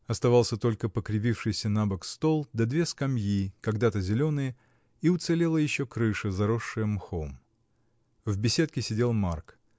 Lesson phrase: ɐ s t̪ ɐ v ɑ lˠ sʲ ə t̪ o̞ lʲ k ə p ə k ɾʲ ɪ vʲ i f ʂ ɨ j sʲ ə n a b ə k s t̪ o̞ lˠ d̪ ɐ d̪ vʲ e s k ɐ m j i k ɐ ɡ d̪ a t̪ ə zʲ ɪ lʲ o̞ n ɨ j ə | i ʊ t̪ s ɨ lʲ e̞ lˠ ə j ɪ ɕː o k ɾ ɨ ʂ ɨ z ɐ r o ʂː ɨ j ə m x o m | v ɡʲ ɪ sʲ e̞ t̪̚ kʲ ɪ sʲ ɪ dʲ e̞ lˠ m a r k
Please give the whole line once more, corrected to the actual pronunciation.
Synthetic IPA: ɐ s t̪ ɐ v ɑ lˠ sʲ ə t̪ o̞ lʲ k ə p ə k ɾʲ ɪ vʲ i f ʂ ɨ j sʲ ə n a b ə k s t̪ o̞ lˠ d̪ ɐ d̪ vʲ e s k ɐ m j i k ɐ ɡ d̪ a t̪ ə zʲ ɪ lʲ o̞ n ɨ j ə | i ʊ t̪ s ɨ lʲ e̞ lˠ ə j ɪ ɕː o k ɾ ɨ ʂ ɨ z ɐ ɾ o ʂː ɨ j ə m x o m | v bʲ ɪ sʲ e̞ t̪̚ kʲ ɪ sʲ ɪ dʲ e̞ lˠ m a r k